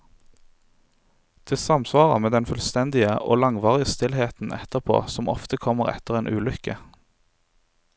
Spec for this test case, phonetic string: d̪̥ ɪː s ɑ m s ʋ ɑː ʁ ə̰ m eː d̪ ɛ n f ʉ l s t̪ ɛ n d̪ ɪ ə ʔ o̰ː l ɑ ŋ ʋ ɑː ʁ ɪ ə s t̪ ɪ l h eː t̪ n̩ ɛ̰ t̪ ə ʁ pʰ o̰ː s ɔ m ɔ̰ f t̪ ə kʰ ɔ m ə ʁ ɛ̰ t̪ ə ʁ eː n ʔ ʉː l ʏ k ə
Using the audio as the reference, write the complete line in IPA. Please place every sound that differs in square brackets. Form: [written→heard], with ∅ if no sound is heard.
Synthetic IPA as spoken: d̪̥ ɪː s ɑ m s ʋ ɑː ʁ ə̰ m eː d̪ ɛ n f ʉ l s t̪ ɛ n d̪ ɪ ə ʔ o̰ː l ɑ ŋ ʋ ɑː ʁ ɪ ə s t̪ ɪ l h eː t̪ n̩ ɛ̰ t̪ ə ʁ pʰ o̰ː s ɔ m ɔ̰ f t̪ ə kʰ ɔ m ə ʁ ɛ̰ t̪ ə ʁ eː n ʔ ʉː l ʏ k ə